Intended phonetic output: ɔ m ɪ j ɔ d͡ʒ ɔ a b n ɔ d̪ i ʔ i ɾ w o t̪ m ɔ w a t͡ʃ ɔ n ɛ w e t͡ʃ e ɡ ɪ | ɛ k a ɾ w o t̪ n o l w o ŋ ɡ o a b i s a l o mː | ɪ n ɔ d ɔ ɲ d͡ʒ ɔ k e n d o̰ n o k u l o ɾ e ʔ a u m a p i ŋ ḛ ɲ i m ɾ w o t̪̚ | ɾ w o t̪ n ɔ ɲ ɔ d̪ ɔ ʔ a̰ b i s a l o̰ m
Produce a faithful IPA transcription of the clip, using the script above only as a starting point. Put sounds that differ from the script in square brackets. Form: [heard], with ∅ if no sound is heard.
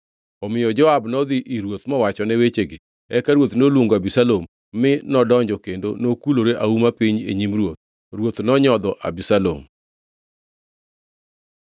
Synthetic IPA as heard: ɔ m ɪ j ɔ d͡ʒ ɔ a b n ɔ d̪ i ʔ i ɾ w o t̪ m ɔ w a t͡ʃ ɔ n ɛ w e t͡ʃ e ɡ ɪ | ɛ k a ɾ w o t̪ n o l w o ŋ ɡ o a b i s a l o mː | ɪ n ɔ d ɔ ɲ d͡ʒ ɔ k e n d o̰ n o k u l o ɾ e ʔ a u m a p i [ɲ] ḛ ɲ i m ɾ w o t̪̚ | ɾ w o t̪ n ɔ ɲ ɔ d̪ ɔ ʔ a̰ b i s a l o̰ m

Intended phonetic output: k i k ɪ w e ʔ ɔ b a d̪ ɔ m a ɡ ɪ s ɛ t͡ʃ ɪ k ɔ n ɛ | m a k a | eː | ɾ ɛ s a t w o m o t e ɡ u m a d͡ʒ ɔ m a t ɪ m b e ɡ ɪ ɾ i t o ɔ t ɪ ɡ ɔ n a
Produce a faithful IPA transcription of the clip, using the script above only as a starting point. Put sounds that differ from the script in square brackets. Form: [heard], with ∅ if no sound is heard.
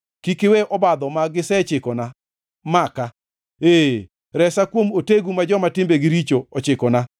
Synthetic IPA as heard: k i k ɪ w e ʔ ɔ b a d̪ ɔ m a ɡ ɪ s ɛ t͡ʃ ɪ k ɔ n [a] | m a k a | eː | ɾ ɛ s a [k] w o m o t e ɡ u m a d͡ʒ ɔ m a t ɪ m b e ɡ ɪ ɾ i [t͡ʃ] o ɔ [t͡ʃ] ɪ [k] ɔ n a

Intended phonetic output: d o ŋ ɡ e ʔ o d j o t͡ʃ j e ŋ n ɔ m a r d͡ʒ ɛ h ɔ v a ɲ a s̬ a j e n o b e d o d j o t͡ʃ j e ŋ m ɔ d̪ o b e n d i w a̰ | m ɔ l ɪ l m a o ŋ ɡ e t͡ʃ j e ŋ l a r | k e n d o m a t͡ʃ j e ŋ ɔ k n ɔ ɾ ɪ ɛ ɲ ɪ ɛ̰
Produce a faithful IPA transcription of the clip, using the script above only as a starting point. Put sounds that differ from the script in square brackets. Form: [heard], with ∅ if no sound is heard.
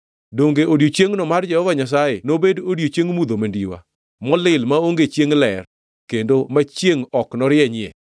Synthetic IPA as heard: d o ŋ ɡ e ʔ o d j o t͡ʃ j e ŋ n ɔ m a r d͡ʒ ɛ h ɔ v a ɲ a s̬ a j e n o b e d o d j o t͡ʃ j e ŋ m [u] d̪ o [m] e n d i w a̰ | m ɔ l ɪ l m a o ŋ ɡ e t͡ʃ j e ŋ l [ɛ] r | k e n d o m a t͡ʃ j e ŋ ɔ k n ɔ ɾ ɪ ɛ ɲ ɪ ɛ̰

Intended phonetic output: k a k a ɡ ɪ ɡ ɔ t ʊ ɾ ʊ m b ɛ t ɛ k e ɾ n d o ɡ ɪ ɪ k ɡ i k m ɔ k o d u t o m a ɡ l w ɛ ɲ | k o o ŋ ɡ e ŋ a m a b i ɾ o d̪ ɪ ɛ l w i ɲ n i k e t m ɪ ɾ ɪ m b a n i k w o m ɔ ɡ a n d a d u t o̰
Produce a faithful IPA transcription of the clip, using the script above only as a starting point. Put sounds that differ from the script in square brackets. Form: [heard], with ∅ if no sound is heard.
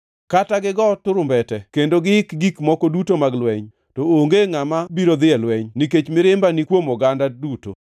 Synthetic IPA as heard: k a [t] a ɡ ɪ ɡ ɔ t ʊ ɾ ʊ m b ɛ t ɛ k e [∅] n d o ɡ ɪ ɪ k ɡ i k m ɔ k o d u t o m a ɡ l w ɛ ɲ | [t] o o ŋ ɡ e ŋ a m a b i ɾ o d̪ ɪ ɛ l w [ɛ] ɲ n i k e [t͡ʃ] m ɪ ɾ ɪ m b a n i k w o m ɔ ɡ a n d a d u t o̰

